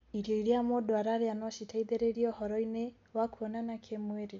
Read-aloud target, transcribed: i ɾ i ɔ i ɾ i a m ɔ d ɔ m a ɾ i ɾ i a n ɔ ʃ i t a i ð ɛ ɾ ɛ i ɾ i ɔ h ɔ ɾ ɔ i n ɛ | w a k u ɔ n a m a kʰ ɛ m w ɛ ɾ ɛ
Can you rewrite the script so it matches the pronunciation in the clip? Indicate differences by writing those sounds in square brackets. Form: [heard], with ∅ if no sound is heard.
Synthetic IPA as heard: i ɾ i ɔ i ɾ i a m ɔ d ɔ [∅] a ɾ [a] ɾ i a n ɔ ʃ i t a i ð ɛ ɾ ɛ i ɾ i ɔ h ɔ ɾ ɔ i n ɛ | w a k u ɔ n a [n] a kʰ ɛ m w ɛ ɾ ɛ